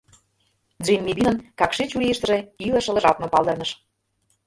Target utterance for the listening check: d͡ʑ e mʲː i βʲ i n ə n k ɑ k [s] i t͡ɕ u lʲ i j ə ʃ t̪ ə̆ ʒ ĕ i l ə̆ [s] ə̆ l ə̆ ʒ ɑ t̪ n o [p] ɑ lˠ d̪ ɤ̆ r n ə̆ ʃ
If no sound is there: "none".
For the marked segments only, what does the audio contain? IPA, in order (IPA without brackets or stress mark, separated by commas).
ʃ, ʃ, p